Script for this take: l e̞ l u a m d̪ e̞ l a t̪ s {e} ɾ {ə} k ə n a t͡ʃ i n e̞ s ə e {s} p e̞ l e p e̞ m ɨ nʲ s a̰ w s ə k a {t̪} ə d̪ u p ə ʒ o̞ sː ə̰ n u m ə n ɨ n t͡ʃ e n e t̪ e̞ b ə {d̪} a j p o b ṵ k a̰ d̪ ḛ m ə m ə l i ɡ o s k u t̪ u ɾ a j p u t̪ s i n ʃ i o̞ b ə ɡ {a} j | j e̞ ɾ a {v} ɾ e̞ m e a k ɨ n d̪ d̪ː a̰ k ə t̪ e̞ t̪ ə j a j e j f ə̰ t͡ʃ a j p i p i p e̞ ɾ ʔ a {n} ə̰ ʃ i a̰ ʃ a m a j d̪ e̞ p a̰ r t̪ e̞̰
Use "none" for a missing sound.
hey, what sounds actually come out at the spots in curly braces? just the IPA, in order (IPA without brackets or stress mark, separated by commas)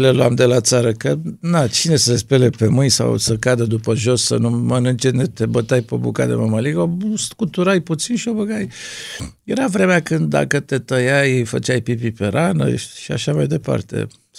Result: a, ə, s, d̪, t̪, a, v, n